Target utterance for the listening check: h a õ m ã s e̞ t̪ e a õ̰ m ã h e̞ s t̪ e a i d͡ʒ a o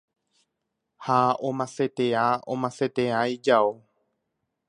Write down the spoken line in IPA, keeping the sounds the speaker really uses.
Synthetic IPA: h a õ m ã s e̞ t̪ e a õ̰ m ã s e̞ t̪ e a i d͡ʒ a o